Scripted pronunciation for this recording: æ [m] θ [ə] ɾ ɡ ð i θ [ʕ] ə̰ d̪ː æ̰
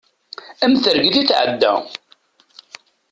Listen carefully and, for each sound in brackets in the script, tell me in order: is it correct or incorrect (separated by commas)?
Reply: correct, correct, correct